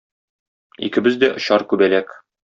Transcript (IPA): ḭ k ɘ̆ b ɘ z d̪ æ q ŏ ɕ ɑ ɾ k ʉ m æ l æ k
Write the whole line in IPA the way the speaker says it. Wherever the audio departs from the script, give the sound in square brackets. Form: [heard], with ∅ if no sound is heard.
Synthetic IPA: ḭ k ɘ̆ b ɘ z d̪ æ [ʔ] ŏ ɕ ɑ ɾ k ʉ [b] æ l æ k